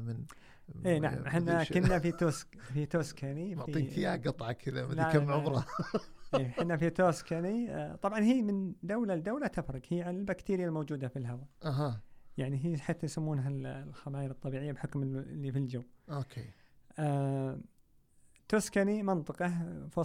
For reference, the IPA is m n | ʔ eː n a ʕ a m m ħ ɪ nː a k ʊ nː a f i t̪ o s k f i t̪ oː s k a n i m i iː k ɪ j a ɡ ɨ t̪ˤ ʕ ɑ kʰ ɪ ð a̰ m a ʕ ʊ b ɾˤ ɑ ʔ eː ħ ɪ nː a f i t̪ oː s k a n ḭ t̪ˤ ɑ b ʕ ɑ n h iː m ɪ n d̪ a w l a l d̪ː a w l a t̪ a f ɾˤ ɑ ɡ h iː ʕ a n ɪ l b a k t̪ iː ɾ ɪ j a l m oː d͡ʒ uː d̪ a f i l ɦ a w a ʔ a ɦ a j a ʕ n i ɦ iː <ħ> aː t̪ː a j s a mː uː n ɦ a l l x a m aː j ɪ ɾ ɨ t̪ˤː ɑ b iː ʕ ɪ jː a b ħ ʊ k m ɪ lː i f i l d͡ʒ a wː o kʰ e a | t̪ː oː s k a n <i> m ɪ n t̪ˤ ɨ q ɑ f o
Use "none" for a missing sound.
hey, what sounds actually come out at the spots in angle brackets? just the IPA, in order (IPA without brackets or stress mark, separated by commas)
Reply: ħ, i